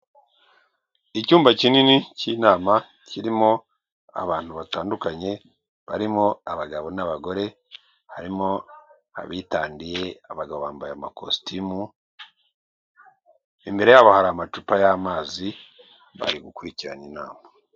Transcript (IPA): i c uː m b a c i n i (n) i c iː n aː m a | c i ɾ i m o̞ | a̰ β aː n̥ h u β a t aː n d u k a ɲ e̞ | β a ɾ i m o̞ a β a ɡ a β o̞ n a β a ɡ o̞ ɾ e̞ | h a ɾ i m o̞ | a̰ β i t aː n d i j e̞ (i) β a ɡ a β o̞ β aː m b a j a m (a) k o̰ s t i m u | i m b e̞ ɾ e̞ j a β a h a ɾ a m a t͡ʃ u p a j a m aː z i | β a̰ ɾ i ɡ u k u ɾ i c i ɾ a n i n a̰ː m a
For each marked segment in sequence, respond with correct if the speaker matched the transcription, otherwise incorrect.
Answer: correct, incorrect: a, correct

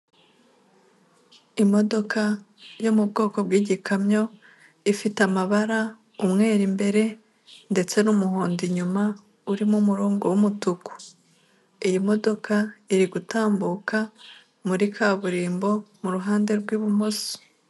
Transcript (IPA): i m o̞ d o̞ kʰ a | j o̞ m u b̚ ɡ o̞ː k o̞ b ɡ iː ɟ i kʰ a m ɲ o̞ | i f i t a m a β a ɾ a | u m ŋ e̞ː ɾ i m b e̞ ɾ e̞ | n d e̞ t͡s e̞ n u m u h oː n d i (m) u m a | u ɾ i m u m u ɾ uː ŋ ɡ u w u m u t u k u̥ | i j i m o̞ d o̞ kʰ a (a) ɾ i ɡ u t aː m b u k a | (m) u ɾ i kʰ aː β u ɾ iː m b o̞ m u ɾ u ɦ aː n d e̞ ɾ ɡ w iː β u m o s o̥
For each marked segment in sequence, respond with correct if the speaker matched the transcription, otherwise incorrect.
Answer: incorrect: ɲ, incorrect: i, correct

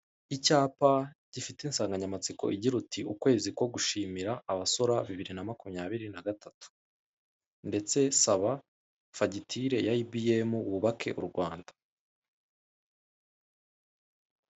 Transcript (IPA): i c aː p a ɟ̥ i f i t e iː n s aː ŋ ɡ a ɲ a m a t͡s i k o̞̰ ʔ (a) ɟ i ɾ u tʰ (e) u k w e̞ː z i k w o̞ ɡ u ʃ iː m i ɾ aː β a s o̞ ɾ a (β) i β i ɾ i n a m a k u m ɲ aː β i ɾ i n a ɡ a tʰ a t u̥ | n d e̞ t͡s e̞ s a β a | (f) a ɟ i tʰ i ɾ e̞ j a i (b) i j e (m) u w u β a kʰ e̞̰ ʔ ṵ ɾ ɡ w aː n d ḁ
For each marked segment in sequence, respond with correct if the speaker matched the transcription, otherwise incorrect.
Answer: incorrect: i, incorrect: i, correct, correct, correct, correct

